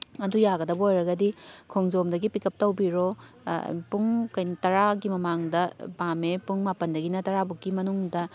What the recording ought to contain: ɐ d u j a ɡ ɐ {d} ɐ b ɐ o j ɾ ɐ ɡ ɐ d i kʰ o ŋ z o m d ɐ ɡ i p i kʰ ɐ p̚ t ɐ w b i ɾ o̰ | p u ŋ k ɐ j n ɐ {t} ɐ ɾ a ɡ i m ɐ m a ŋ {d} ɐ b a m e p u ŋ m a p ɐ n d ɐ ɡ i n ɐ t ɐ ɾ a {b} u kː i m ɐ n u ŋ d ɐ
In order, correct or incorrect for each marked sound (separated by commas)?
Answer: correct, correct, correct, correct